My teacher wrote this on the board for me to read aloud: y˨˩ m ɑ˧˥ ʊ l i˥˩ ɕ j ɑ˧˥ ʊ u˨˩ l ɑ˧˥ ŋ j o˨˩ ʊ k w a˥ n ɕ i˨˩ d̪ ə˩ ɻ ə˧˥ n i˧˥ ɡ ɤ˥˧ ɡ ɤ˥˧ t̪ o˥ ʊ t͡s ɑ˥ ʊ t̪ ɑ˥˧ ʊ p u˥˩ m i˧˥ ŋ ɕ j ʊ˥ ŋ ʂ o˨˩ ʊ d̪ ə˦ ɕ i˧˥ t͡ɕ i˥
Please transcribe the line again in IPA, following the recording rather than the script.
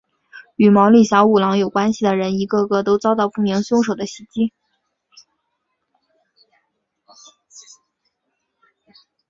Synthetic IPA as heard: y˨˩ m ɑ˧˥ ʊ l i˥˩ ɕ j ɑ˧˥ ʊ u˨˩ l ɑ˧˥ ŋ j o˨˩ ʊ k w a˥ n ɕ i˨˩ d̪ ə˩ ɻ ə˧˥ n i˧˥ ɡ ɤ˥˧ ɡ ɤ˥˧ t̪ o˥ ʊ t͡s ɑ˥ ʊ t̪ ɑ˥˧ ʊ p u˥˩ m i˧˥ ŋ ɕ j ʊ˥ ŋ ʂ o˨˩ ʊ d̪ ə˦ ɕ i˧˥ t͡ɕ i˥